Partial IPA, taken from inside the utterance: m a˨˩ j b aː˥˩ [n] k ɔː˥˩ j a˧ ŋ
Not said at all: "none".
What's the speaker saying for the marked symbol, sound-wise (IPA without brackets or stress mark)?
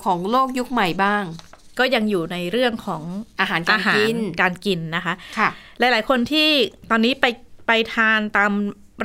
ŋ